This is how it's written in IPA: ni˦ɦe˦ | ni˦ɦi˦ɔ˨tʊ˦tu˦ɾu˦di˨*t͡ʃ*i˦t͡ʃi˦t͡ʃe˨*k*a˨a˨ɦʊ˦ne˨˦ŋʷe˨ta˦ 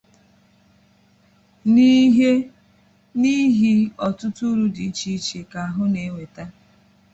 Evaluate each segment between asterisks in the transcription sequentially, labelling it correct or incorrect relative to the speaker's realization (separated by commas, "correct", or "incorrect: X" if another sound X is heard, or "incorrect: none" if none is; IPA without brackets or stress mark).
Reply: incorrect: none, correct